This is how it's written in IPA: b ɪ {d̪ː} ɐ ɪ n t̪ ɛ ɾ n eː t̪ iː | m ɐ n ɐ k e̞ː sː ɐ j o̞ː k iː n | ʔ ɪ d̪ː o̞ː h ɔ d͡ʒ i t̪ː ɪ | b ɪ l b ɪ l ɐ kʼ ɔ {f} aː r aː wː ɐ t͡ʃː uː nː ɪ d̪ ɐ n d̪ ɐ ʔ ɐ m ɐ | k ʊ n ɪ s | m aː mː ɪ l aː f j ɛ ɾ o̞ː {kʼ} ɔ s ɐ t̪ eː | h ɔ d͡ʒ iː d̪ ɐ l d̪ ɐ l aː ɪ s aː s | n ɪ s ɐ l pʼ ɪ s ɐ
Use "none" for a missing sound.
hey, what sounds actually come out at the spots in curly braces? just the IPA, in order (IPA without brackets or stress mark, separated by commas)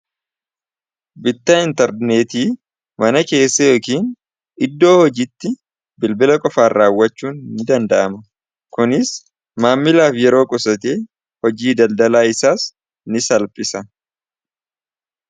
t̪ː, f, kʼ